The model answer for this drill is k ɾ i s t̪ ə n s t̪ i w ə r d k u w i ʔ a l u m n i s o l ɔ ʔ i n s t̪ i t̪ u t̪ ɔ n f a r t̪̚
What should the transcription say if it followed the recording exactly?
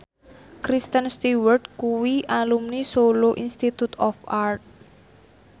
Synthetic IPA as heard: k ɾ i s t̪ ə n s t̪ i w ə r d k u w i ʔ a l u m n i s o l o ʔ i n s t̪ i t̪ u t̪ ɔ f a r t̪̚